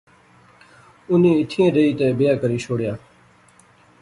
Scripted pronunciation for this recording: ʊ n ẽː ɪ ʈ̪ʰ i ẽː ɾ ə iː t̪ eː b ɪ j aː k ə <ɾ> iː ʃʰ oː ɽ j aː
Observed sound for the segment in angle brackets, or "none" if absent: ɾ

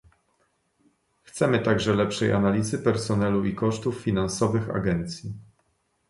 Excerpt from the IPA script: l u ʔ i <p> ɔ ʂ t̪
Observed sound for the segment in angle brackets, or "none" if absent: k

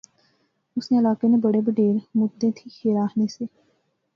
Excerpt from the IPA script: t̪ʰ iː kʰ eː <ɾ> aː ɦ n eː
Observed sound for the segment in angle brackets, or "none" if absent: ɾ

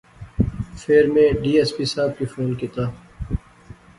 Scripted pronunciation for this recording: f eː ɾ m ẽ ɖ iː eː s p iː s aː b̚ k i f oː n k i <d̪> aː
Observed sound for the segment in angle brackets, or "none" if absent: t̪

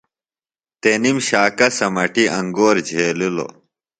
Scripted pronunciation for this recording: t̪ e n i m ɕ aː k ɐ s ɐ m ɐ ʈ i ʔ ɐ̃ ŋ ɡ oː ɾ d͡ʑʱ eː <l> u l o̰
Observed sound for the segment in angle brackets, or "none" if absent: l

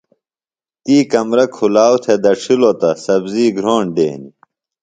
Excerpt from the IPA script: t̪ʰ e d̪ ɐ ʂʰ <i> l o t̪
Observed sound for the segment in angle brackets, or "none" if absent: i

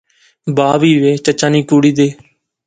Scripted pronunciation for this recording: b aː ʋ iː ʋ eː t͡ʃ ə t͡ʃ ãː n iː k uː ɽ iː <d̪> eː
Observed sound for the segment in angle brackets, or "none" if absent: d̪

